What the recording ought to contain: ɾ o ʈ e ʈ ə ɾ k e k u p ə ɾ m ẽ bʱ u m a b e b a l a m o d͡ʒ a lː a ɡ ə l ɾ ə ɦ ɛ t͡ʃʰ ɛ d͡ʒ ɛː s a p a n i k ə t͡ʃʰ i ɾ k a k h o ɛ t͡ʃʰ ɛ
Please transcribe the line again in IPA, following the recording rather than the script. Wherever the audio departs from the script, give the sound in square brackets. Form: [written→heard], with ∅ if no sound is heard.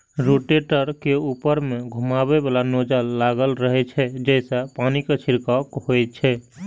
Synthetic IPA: ɾ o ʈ e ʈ ə ɾ k e [k→∅] u p ə ɾ m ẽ [bʱ→ɡʱ] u m a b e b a l a [m→n] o d͡ʒ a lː a ɡ ə l ɾ ə ɦ ɛ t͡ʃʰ ɛ d͡ʒ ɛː s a p a n i k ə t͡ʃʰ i ɾ k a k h o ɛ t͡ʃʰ ɛ